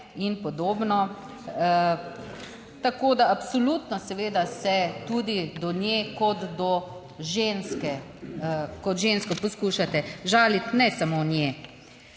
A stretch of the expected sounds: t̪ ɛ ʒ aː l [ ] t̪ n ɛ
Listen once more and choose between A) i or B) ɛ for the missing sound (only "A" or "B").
A